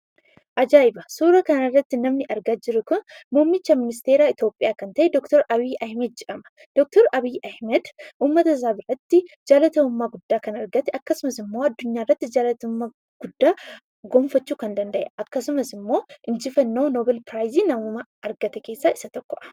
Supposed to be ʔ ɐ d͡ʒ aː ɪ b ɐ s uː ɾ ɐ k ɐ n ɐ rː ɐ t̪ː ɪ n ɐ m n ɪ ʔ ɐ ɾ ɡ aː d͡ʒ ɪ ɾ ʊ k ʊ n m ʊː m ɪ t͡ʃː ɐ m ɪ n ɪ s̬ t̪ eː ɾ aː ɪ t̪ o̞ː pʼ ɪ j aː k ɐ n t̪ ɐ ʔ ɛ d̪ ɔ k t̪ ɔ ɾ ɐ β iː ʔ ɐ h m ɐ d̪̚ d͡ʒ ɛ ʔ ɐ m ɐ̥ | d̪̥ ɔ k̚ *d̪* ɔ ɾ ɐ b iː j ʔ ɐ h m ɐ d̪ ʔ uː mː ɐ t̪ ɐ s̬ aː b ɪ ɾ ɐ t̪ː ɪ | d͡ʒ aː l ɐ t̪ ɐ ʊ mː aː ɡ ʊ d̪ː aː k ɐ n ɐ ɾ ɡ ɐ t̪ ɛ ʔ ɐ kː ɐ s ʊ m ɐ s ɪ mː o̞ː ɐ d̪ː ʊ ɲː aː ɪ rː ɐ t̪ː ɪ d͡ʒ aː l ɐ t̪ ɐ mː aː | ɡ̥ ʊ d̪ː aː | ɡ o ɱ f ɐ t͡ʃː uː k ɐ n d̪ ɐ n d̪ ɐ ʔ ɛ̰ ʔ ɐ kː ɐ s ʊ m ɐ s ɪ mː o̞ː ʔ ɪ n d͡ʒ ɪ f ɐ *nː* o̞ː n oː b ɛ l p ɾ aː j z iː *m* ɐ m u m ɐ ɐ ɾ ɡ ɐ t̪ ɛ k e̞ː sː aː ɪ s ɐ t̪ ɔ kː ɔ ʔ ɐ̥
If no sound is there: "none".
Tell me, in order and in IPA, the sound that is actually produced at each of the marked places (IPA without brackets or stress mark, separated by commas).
t̪, nː, n